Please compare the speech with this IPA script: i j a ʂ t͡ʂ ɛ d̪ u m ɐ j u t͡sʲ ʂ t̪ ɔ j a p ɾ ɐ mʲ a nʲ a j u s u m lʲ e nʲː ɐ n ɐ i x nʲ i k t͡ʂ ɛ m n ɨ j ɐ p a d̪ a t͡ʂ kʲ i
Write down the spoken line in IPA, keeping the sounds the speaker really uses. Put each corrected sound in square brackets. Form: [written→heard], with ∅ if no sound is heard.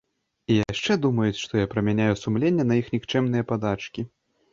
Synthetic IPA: i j a ʂ t͡ʂ ɛ d̪ u m ɐ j u t͡sʲ ʂ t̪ ɔ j a p ɾ ɐ mʲ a nʲ a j u s u m lʲ e nʲː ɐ n ɐ i x nʲ i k t͡ʂ ɛ m n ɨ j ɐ p a d̪ a t͡ʂ kʲ i